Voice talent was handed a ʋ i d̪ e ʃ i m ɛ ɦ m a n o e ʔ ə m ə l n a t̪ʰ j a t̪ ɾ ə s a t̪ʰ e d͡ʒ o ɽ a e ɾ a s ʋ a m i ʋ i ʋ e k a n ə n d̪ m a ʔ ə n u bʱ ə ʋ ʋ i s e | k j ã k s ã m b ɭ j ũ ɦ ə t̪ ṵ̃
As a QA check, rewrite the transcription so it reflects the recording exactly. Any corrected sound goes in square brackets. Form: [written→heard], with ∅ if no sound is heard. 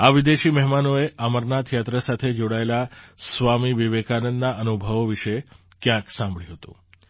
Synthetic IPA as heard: a ʋ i d̪ e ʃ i m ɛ ɦ m a n o e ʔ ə m ə [l→ɾ] n a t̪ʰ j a t̪ ɾ ə s a t̪ʰ e d͡ʒ o ɽ a e [ɾ→l] a s ʋ a m i ʋ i ʋ e k a n ə n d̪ [m→n] a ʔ ə n u bʱ ə ʋ ʋ i [s→ʃ] e | k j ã k s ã m b ɭ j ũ ɦ ə t̪ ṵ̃